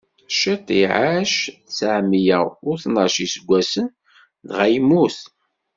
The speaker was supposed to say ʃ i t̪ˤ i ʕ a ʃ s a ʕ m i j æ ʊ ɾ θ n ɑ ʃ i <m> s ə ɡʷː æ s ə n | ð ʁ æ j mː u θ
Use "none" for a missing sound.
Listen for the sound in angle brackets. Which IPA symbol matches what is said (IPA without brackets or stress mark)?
none